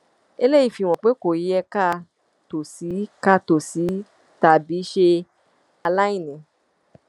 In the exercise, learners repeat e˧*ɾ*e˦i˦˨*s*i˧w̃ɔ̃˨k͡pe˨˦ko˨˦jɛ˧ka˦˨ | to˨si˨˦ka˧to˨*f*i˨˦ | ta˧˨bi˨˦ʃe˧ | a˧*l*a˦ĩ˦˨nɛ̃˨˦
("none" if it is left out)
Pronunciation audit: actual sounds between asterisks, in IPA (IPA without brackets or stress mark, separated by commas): l, f, s, l